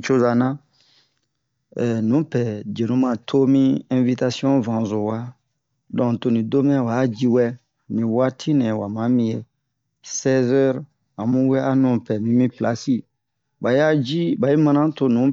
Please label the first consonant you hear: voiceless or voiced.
voiceless